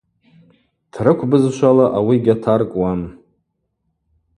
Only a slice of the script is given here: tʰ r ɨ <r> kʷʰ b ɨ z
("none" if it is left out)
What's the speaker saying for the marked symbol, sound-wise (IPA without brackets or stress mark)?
none